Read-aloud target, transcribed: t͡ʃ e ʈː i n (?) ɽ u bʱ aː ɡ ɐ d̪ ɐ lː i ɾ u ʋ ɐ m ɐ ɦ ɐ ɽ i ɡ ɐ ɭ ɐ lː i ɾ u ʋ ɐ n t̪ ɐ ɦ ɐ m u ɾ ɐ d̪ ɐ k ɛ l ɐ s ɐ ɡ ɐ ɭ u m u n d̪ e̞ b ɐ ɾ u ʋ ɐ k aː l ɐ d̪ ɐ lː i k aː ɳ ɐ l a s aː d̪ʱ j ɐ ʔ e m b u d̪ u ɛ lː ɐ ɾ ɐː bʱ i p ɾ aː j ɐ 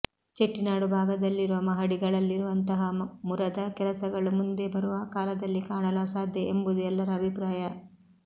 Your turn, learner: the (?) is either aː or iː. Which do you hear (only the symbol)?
aː